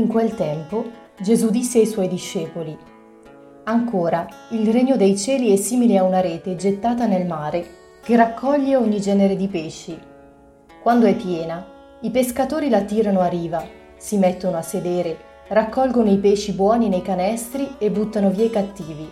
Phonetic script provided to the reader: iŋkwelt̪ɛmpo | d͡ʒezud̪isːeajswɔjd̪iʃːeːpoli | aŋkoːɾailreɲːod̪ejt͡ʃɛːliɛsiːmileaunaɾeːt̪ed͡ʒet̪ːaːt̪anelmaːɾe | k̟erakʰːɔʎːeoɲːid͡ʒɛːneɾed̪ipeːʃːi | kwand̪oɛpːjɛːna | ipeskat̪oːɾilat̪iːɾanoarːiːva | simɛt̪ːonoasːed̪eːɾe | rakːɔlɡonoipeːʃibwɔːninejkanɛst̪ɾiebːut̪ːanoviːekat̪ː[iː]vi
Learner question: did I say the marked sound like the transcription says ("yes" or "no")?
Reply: yes